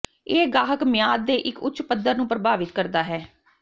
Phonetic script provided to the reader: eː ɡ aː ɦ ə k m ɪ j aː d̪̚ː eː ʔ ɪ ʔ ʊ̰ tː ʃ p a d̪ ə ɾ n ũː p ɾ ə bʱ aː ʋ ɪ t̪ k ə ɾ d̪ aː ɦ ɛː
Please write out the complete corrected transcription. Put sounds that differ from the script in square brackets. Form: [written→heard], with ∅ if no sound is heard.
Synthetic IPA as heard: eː ɡ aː ɦ ə k m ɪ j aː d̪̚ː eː ʔ ɪ [ʔ→k] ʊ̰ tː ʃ p [a→ə] d̪ ə ɾ n ũː p ɾ ə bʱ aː ʋ ɪ t̪ k ə ɾ d̪ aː ɦ ɛː